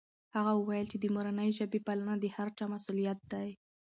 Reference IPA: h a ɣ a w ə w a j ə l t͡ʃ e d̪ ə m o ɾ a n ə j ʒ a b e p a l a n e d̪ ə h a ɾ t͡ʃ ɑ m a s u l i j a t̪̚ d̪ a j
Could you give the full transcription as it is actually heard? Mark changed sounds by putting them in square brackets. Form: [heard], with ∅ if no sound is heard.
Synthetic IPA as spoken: h a ɣ a w ə w a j ə l t͡ʃ e d̪ ə m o ɾ a n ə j ʒ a b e p a l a n [a] d̪ ə h a ɾ t͡ʃ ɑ m a s u l i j a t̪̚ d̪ a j